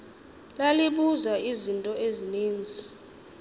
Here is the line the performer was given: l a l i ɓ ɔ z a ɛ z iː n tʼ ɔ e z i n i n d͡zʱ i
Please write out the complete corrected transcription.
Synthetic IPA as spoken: l a l i ɓ u z a i z i n tʼ ɔ e z i n iː n d͡zʱ i